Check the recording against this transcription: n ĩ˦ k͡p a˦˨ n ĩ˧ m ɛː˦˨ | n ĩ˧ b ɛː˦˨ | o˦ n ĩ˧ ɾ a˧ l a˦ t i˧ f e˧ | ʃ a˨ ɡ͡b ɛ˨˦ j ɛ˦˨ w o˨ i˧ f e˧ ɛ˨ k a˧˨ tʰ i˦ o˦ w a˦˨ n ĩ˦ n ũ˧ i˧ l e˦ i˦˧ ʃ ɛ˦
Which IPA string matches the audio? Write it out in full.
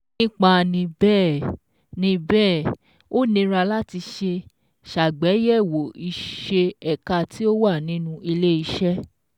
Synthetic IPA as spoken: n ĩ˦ k͡p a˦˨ n ĩ˧ b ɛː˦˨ | n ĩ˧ b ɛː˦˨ | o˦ n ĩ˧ ɾ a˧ l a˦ t i˧ ʃ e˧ | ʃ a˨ ɡ͡b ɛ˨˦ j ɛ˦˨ w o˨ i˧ ʃ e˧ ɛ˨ k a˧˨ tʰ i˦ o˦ w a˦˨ n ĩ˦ n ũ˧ i˧ l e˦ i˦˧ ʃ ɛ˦